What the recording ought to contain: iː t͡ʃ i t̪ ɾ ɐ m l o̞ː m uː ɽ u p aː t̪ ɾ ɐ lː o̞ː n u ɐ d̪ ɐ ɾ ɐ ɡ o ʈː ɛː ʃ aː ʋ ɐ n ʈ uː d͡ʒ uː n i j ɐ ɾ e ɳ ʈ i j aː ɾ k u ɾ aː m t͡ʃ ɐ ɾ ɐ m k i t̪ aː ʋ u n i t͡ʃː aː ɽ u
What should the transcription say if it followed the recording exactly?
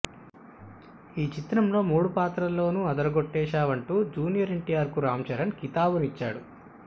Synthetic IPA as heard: iː t͡ʃ i t̪ ɾ ɐ m l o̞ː m uː ɽ u p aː t̪ ɾ ɐ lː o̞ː n u ɐ d̪ ɐ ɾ ɐ ɡ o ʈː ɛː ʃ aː ʋ ɐ ɳ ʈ uː d͡ʒ uː n i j ɐ ɾ e ɳ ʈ i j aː ɾ k u ɾ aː m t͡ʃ ɐ ɾ ɐ n k i t̪ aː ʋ u n i t͡ʃː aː ɽ u